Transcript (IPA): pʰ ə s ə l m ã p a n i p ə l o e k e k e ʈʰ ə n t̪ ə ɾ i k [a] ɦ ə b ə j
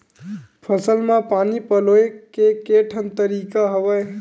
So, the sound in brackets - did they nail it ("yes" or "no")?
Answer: yes